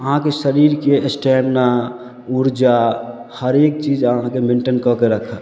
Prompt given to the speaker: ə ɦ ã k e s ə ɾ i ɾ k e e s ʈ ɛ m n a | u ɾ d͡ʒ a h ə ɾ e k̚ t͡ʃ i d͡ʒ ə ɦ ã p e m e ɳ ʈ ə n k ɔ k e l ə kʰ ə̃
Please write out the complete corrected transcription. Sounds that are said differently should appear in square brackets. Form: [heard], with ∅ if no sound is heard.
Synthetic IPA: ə ɦ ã k e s ə ɾ i ɾ k e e s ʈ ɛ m n a | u ɾ d͡ʒ a h ə ɾ e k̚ t͡ʃ i d͡ʒ ə ɦ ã [k] e m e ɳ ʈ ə n k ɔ k e [ɾ] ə kʰ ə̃